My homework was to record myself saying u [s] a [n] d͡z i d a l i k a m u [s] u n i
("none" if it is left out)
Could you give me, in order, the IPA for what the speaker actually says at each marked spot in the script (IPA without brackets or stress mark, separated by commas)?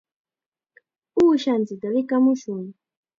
ʃ, n, ʃ